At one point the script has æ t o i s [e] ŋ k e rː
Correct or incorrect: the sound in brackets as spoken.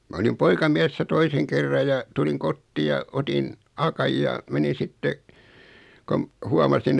correct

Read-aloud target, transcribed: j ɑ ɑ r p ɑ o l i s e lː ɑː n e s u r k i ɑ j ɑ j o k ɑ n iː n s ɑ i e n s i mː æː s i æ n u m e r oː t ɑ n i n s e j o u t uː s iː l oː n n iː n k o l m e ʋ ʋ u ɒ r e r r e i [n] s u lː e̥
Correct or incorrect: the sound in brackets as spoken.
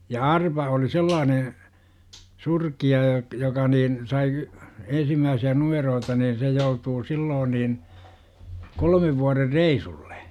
incorrect: none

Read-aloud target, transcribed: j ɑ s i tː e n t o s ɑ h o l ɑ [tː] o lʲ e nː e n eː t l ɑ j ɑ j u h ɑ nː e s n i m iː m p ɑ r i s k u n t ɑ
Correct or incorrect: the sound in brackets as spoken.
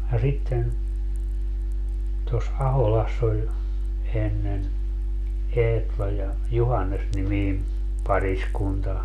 incorrect: sː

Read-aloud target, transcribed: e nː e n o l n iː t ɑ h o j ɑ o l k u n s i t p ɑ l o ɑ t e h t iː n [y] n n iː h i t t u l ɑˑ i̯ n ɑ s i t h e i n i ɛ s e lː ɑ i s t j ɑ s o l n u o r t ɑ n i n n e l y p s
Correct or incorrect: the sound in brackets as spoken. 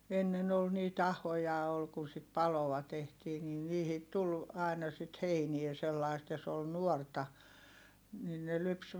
incorrect: i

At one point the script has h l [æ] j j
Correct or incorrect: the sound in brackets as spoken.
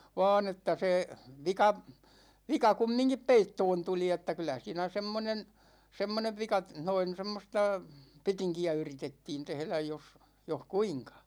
correct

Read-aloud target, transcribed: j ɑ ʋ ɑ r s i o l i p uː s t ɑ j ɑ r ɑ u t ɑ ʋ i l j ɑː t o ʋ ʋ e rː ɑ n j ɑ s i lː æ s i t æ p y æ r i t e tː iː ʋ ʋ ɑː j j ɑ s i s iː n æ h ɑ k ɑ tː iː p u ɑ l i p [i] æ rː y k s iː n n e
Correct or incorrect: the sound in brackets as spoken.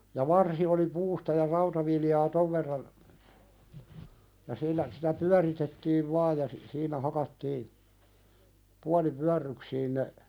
incorrect: y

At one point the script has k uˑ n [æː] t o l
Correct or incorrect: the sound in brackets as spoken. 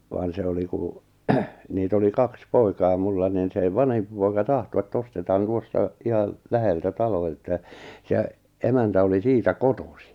incorrect: iː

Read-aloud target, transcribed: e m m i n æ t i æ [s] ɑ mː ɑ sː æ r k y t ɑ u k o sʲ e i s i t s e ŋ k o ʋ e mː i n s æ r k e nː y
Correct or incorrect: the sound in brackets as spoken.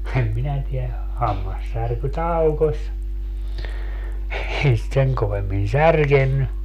incorrect: h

